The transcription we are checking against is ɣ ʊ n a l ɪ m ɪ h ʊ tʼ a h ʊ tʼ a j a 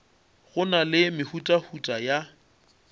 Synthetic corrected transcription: ɣ ʊ n a l ɪ m ɪ h u tʼ a h u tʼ a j a